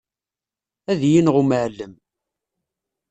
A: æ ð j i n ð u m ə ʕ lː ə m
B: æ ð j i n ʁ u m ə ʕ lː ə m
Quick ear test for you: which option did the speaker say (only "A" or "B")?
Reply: B